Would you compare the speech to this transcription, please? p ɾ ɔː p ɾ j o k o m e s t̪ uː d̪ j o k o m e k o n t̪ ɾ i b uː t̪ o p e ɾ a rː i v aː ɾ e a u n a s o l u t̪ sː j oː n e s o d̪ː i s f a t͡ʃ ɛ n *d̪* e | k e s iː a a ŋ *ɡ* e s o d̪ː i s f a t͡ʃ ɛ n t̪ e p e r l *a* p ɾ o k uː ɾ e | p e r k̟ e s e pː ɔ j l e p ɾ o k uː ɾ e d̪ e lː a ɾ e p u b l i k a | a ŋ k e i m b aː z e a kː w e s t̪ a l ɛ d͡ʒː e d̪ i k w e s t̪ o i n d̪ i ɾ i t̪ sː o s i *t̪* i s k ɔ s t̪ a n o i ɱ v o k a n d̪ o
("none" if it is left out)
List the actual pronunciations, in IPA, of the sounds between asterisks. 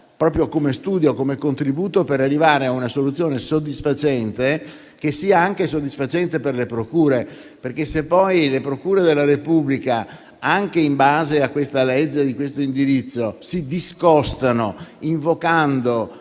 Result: t̪, k, e, d̪

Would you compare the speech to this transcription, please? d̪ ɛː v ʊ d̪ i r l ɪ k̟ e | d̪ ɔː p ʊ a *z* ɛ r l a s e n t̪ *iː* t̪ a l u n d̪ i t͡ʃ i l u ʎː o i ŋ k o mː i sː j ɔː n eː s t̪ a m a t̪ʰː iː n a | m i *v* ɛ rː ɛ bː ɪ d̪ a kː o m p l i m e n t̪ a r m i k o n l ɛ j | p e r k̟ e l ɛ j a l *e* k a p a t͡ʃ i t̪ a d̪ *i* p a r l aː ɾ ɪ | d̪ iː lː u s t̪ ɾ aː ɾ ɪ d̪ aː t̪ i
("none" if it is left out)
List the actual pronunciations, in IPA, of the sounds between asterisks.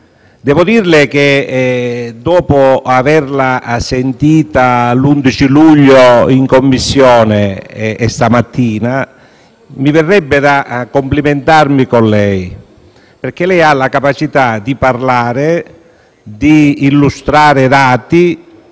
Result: v, iː, v, a, i

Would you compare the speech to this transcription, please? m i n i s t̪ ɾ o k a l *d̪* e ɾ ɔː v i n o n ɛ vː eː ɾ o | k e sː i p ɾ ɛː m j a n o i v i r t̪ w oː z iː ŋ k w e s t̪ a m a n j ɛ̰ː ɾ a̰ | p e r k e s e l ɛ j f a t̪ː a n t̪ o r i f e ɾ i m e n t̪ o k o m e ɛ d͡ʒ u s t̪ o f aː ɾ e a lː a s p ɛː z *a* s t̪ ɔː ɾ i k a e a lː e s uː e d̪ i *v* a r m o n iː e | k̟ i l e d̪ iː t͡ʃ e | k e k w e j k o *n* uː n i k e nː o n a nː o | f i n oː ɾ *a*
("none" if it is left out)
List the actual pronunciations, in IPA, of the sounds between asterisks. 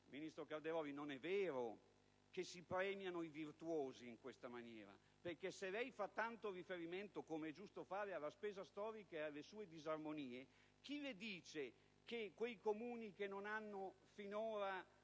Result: d̪, a, z, m, a

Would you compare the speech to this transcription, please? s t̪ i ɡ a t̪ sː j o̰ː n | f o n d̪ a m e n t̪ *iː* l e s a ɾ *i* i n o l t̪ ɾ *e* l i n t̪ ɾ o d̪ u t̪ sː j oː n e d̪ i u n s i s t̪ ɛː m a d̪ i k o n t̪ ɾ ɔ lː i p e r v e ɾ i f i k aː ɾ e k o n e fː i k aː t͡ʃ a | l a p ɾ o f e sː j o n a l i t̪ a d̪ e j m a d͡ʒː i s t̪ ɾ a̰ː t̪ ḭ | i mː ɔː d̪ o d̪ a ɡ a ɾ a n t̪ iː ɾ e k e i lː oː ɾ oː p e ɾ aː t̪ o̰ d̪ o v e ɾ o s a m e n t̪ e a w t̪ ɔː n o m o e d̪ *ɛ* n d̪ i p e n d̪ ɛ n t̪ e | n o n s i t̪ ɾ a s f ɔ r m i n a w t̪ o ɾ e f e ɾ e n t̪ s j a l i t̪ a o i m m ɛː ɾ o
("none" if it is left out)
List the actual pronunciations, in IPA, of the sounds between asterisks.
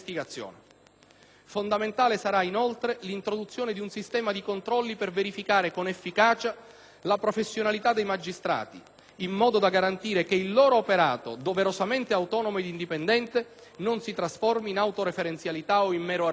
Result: aː, a, e, i

